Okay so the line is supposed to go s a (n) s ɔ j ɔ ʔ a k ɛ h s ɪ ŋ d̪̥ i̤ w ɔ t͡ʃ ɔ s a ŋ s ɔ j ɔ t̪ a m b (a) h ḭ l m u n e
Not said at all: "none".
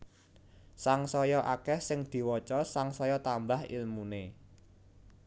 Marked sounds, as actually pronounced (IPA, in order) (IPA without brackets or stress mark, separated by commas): ŋ, a